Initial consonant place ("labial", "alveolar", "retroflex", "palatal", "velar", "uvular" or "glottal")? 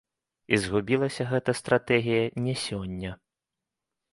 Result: alveolar